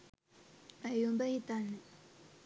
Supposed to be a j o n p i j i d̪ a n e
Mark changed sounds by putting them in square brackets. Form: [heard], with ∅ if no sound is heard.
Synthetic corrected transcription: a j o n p [a] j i [t̪] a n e